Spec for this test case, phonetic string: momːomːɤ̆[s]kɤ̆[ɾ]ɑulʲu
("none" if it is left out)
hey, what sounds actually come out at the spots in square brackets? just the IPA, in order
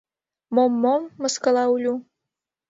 s, l

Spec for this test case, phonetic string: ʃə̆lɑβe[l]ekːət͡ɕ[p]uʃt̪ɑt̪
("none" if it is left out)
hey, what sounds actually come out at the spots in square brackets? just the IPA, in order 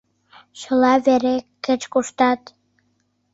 ɾ, k

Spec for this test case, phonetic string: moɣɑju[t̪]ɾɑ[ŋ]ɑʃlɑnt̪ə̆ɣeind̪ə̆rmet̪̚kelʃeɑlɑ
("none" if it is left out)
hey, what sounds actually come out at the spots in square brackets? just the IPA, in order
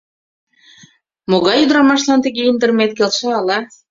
d̪, m

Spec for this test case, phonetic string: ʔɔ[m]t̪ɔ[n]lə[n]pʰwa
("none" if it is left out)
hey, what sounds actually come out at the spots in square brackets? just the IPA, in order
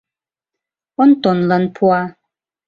n, n, n

